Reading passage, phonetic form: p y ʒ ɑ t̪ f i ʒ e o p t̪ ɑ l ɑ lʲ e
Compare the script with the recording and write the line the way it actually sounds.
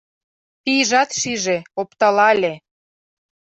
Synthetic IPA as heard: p i ʒ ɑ t̪ ʃ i ʒ e o p t̪ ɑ l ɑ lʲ e